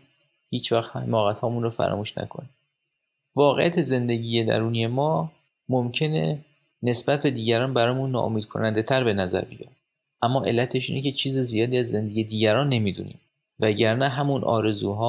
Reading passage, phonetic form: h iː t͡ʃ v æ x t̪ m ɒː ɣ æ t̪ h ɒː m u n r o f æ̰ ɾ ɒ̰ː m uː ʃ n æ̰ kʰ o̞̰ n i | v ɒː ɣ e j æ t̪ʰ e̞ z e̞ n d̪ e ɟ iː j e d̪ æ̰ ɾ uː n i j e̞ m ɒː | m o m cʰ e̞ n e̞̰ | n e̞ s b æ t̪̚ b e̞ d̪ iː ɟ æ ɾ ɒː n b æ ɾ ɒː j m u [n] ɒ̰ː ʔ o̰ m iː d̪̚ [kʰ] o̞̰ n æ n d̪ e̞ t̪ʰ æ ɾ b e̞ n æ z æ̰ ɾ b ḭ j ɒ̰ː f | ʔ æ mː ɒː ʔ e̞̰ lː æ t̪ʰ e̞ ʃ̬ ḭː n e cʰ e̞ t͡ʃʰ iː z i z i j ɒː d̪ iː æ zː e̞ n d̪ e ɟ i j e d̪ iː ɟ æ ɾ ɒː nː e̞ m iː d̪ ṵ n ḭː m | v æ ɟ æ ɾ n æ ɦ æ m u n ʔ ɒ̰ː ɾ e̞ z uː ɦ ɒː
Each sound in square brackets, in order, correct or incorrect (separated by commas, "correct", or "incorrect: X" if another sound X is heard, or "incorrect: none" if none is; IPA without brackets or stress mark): incorrect: nː, correct